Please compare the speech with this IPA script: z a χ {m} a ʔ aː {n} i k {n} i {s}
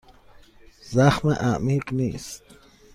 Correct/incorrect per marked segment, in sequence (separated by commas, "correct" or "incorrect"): correct, incorrect, correct, correct